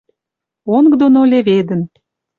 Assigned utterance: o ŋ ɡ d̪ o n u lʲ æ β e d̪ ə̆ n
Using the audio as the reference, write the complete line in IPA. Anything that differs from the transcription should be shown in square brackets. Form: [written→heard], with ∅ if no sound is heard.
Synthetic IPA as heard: o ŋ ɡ d̪ o n [u→o] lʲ [æ→e] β e d̪ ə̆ n